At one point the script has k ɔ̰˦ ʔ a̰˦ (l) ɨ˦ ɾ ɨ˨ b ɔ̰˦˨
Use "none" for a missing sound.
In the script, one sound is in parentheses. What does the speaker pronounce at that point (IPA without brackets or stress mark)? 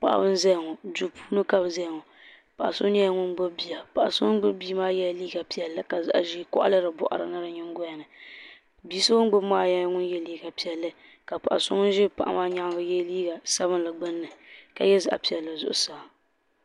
l